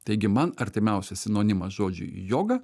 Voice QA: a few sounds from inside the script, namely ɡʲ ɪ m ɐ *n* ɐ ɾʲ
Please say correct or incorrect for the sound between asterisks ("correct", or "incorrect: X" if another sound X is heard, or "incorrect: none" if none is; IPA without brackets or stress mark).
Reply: correct